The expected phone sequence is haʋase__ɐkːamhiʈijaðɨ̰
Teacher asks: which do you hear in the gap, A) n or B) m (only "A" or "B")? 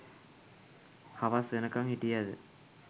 A